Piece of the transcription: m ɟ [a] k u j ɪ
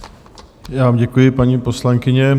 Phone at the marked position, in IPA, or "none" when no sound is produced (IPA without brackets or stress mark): ɛ